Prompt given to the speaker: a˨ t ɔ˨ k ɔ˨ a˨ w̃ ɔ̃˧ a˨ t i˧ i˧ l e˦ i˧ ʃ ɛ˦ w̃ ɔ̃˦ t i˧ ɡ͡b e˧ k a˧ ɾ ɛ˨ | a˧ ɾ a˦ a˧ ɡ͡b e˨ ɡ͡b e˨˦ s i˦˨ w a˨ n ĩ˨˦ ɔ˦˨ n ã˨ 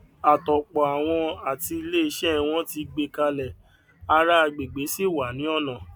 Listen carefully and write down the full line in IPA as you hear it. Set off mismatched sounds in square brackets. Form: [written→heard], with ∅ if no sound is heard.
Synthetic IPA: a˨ t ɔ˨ [k→k͡p] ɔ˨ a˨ w̃ ɔ̃˧ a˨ t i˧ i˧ l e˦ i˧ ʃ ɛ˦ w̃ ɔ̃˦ t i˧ ɡ͡b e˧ k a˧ [ɾ→l] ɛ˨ | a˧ ɾ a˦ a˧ ɡ͡b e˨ ɡ͡b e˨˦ s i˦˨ w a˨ n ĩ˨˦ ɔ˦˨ n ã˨